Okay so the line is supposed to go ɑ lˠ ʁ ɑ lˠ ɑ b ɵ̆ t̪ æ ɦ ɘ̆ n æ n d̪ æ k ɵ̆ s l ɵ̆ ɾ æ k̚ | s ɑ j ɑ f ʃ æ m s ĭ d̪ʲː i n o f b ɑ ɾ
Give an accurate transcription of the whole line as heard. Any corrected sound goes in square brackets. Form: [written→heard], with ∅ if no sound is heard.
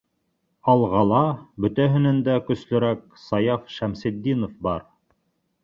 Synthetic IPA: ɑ lˠ ʁ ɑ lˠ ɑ b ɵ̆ t̪ æ ɦ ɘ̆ n æ n d̪ æ k ɵ̆ s l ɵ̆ ɾ æ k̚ | s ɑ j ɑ f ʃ æ m s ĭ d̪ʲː i n o f b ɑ ɾ

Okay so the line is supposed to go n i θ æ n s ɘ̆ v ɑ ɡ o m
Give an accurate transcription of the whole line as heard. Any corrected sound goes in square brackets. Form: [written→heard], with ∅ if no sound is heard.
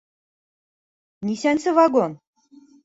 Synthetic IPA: n i [θ→s] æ n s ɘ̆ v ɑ ɡ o [m→n]

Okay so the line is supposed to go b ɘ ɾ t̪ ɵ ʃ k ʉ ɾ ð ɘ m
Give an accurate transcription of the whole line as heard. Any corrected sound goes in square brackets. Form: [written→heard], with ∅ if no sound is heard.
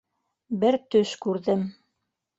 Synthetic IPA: b ɘ ɾ t̪ ɵ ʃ k ʉ ɾ ð ɘ m

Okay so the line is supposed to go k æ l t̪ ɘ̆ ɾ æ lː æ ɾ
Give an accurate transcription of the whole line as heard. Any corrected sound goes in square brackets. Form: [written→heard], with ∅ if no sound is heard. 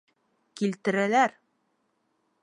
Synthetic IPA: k [æ→i] l t̪ ɘ̆ ɾ æ [lː→l] æ ɾ

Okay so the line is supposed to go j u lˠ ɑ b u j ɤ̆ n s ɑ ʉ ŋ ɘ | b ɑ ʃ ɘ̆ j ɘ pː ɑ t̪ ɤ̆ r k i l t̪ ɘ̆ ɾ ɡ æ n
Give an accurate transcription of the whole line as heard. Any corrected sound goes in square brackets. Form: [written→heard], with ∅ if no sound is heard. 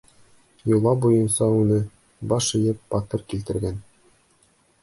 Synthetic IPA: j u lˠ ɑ b u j ɤ̆ n s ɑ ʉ [ŋ→n] ɘ | b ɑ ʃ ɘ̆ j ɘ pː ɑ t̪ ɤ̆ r k i l t̪ ɘ̆ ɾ ɡ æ n

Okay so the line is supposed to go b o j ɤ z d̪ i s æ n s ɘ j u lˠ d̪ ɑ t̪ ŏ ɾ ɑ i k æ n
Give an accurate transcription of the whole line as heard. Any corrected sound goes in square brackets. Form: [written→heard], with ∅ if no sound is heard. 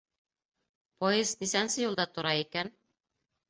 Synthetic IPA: [b→p] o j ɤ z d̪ i s æ n s ɘ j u lˠ d̪ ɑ t̪ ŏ ɾ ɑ i k æ n

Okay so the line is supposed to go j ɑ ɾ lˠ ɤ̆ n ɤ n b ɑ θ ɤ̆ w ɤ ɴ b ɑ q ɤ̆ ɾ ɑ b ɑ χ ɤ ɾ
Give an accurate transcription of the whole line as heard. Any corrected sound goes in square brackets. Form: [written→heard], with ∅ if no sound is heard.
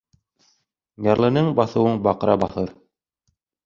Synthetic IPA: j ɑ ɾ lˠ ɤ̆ n ɤ [n→ɴ] b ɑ θ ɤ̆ w ɤ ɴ b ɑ q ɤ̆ ɾ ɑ b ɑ [χ→θ] ɤ ɾ

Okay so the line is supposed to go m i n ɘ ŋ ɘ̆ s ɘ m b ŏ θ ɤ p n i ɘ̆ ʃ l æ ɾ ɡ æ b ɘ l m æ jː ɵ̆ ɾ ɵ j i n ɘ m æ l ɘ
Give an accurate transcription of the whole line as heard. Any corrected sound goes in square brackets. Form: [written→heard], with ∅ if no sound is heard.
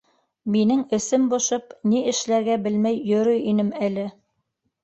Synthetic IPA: m i n ɘ ŋ ɘ̆ s ɘ m b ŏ [θ→ʃ] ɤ p n i ɘ̆ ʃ l æ ɾ ɡ æ b ɘ l m æ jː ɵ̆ ɾ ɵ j i n ɘ m æ l ɘ

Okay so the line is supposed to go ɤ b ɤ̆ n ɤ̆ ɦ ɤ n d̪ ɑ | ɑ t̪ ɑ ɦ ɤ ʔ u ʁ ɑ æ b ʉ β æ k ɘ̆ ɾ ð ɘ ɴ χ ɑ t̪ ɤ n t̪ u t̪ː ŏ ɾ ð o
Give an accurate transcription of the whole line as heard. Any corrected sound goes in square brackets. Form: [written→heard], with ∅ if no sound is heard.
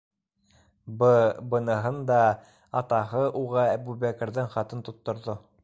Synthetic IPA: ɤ b ɤ̆ n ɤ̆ ɦ ɤ n d̪ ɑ | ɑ t̪ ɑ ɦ ɤ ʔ u ʁ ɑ æ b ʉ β æ k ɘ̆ ɾ ð ɘ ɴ χ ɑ t̪ ɤ n t̪ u t̪ː ŏ ɾ ð o

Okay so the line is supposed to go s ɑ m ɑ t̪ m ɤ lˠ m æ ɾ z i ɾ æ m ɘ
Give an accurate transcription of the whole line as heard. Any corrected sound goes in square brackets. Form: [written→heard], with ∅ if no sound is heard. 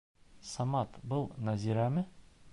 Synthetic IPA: s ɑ m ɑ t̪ [m→b] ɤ lˠ [m→n] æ [ɾ→∅] z i ɾ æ m ɘ

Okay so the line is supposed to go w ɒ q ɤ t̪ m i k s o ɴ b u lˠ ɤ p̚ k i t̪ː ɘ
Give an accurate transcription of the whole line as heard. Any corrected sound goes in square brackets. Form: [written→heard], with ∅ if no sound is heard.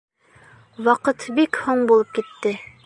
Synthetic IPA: w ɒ q ɤ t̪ [m→b] i k [s→h] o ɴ b u lˠ ɤ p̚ k i t̪ː ɘ

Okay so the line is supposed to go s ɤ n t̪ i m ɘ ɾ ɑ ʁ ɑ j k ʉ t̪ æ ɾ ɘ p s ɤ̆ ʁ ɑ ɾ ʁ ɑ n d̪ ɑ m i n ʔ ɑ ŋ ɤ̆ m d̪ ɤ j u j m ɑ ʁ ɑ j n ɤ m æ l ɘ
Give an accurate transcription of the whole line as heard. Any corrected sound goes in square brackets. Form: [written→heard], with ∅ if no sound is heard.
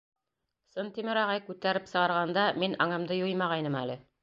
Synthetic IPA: s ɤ n t̪ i m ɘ ɾ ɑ ʁ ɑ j k ʉ t̪ æ ɾ ɘ p s ɤ̆ ʁ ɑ ɾ ʁ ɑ n d̪ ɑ m i n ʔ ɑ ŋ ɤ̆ m d̪ ɤ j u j m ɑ ʁ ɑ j n ɤ m æ l ɘ

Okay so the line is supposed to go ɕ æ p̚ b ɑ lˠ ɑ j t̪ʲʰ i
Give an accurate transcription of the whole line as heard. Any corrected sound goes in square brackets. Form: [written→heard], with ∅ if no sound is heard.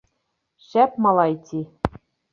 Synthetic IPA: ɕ æ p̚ [b→m] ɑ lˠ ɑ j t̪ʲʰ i

